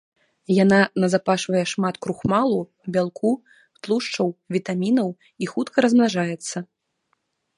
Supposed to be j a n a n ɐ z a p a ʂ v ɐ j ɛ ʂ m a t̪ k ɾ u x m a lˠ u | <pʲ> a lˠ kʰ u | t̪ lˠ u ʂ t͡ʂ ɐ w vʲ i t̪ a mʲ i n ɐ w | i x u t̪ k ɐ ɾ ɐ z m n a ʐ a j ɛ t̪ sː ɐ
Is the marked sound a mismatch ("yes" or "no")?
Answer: yes